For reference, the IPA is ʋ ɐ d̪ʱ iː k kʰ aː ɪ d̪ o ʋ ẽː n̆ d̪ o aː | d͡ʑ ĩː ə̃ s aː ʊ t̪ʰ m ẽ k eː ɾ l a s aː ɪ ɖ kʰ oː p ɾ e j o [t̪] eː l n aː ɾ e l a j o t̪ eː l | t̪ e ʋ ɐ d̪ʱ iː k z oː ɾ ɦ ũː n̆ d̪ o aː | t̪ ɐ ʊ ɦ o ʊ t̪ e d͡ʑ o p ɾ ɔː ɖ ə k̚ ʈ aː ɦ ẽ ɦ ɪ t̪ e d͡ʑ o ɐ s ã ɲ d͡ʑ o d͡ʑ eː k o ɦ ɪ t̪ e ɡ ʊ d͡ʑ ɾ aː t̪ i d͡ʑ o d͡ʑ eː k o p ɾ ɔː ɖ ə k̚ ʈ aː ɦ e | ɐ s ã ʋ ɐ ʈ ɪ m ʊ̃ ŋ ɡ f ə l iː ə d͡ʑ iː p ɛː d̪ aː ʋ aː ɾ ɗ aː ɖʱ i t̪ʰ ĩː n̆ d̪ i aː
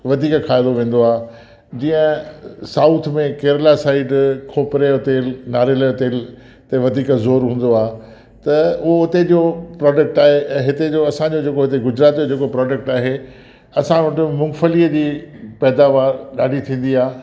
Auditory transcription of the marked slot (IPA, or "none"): t̪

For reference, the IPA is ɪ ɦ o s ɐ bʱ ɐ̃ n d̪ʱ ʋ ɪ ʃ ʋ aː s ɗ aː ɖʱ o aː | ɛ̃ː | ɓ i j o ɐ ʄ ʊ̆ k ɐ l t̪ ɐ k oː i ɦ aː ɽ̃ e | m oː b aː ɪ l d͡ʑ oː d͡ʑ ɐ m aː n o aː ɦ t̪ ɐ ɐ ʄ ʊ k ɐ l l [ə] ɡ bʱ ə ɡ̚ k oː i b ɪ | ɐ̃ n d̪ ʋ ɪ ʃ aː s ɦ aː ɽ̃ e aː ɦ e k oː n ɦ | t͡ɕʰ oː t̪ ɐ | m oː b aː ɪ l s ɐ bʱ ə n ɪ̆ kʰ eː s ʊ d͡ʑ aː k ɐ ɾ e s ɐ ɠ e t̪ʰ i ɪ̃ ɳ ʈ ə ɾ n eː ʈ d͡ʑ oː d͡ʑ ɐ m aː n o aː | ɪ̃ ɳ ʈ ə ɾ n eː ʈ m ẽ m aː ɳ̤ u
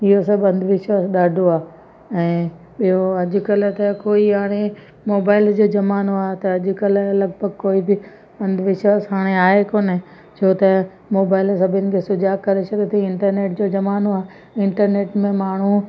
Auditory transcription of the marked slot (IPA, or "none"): ɐ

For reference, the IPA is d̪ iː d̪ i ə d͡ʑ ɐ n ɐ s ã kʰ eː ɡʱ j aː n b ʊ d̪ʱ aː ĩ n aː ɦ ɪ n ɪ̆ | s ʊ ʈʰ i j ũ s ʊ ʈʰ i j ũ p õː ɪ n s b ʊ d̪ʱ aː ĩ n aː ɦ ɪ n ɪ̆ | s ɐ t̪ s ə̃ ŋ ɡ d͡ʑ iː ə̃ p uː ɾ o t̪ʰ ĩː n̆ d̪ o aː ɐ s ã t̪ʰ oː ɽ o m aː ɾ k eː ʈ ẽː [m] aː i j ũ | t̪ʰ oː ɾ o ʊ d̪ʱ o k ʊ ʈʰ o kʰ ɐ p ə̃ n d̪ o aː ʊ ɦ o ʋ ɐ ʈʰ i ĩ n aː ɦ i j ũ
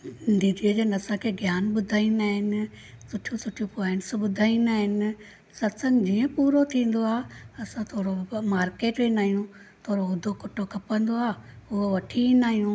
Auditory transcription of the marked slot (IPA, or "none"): n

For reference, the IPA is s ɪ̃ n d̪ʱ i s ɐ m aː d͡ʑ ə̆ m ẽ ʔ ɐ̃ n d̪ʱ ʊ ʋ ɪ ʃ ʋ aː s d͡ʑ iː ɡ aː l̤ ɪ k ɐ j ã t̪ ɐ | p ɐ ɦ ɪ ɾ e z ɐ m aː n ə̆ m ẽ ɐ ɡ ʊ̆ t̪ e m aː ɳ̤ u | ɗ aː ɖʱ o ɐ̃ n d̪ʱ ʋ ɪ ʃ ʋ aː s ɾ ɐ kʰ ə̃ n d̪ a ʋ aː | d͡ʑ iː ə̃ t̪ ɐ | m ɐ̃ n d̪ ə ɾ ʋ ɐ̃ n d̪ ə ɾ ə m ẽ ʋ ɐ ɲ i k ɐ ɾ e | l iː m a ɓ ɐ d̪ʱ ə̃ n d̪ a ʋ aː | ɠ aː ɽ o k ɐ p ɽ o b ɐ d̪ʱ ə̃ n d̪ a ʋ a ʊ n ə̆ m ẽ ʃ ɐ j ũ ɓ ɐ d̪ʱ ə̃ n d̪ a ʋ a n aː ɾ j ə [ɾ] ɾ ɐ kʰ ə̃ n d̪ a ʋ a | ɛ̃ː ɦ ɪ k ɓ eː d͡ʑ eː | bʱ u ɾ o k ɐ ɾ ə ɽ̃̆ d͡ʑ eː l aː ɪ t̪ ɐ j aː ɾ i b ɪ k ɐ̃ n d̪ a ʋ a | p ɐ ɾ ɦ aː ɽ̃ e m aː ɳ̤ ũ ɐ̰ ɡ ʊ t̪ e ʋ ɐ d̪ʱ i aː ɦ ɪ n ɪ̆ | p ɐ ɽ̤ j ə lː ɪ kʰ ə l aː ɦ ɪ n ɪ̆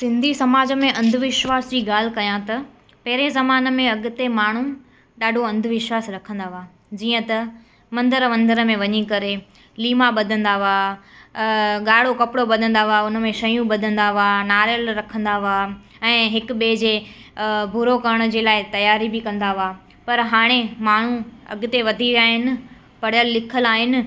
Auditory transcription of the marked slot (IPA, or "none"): l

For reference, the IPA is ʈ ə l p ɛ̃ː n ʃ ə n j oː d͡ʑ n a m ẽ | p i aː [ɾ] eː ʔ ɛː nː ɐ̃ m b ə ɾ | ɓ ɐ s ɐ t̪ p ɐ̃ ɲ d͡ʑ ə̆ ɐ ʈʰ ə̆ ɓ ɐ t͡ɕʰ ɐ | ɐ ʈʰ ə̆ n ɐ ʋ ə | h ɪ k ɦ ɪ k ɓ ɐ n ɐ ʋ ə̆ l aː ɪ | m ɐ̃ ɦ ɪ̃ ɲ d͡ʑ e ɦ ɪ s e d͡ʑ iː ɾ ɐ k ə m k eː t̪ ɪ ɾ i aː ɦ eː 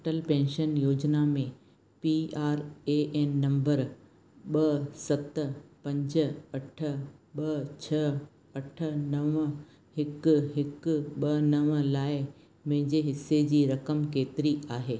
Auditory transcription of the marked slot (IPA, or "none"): ɾ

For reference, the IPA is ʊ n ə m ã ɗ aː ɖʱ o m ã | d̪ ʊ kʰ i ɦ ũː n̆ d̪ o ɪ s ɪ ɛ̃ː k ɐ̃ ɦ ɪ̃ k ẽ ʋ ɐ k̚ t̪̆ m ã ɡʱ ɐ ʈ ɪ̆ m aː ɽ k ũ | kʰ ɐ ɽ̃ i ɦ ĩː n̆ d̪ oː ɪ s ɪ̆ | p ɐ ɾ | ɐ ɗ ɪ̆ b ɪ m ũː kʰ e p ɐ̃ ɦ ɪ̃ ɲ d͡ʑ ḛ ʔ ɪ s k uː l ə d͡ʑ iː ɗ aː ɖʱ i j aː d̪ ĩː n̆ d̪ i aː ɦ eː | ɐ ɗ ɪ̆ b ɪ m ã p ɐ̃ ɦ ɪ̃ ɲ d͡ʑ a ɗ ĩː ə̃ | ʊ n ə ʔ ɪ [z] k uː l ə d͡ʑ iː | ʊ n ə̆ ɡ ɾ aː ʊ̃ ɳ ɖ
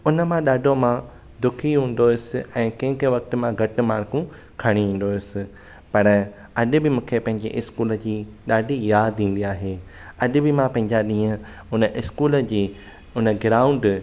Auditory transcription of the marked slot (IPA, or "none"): s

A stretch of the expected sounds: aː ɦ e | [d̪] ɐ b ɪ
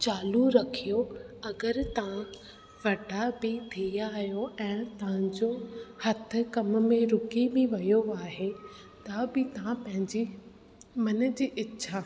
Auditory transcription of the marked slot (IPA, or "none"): t̪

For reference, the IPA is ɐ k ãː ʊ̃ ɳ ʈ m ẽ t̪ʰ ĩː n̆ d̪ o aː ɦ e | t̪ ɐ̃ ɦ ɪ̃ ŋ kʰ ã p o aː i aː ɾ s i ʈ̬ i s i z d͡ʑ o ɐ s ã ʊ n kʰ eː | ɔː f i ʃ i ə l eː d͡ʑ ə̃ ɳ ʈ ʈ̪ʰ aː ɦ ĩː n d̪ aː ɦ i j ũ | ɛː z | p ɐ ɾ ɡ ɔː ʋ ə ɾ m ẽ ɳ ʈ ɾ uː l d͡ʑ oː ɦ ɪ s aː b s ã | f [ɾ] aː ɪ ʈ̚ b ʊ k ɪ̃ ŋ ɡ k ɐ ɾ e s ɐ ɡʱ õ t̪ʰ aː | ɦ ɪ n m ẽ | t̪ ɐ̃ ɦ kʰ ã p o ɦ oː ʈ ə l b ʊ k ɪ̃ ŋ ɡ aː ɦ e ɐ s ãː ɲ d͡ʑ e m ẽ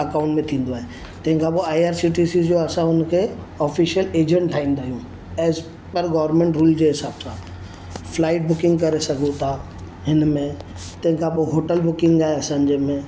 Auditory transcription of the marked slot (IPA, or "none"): l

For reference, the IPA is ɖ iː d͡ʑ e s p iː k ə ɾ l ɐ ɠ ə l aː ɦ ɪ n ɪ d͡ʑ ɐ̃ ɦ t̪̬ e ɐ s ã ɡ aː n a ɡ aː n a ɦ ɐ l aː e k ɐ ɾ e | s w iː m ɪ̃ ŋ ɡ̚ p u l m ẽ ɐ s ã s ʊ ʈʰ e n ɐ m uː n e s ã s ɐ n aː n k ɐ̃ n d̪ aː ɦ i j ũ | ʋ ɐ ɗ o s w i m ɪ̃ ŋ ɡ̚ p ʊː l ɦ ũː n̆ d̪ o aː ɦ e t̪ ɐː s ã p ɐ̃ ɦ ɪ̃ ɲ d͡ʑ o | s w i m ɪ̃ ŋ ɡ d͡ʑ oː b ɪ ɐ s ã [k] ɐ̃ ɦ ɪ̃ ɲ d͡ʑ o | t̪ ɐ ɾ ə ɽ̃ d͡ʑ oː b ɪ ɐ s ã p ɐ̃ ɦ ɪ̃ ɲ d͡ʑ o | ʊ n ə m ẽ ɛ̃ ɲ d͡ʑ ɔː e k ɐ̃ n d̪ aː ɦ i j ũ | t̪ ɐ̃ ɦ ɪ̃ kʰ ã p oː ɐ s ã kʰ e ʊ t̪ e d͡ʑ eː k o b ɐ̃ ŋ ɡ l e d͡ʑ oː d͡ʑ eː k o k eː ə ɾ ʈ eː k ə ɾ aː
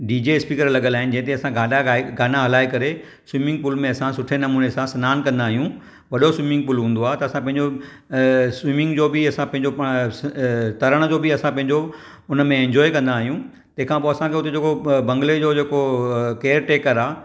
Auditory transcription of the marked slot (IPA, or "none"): p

